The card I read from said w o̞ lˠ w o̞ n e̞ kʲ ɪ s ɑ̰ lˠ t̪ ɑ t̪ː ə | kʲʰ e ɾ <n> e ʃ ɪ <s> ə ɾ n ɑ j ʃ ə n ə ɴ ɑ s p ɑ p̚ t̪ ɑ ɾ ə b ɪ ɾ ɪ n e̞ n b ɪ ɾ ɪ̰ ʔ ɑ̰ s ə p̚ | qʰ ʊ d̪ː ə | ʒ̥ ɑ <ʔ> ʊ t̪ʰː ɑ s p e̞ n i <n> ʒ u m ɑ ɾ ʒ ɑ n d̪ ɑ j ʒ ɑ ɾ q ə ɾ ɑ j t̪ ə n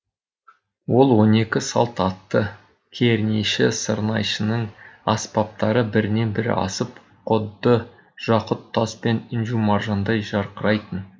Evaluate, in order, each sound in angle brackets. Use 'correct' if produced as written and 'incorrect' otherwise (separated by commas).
correct, correct, incorrect, correct